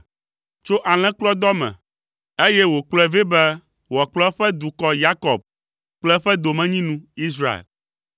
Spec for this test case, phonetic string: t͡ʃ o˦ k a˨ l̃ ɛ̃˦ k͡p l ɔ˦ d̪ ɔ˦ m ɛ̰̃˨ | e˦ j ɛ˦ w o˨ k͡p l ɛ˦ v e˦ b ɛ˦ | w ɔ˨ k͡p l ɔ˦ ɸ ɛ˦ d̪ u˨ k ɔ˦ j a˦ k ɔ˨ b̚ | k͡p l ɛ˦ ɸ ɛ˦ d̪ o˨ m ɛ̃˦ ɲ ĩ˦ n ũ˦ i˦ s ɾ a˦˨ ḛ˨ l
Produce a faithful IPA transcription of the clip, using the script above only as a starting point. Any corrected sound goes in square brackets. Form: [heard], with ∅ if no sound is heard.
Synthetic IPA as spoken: t͡ʃ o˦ [ʔ] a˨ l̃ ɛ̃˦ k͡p l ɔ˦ d̪ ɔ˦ m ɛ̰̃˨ | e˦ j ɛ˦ w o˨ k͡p l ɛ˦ v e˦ b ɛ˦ | w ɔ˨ k͡p l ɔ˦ ɸ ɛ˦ d̪ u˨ k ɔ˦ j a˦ k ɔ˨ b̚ | k͡p l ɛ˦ ɸ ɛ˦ d̪ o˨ m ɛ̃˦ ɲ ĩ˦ n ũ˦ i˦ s ɾ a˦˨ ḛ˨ l

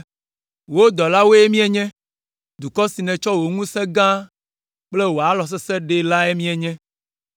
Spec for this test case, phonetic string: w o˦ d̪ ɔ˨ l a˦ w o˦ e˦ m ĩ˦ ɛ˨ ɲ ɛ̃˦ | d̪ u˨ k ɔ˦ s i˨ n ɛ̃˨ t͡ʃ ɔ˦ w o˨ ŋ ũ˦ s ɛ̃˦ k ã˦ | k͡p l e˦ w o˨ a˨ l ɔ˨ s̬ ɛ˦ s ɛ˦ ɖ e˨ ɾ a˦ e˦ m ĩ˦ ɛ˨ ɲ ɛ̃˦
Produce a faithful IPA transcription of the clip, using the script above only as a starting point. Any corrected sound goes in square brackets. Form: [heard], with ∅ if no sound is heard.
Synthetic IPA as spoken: w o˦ d̪ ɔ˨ l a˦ w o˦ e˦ m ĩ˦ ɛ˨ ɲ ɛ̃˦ | d̪ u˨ k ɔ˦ s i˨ n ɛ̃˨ t͡ʃ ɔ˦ w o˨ ŋ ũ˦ s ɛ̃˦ [ɡ] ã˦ | k͡p l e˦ w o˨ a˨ l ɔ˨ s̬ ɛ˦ s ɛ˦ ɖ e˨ [l] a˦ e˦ m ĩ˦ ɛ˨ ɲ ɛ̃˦

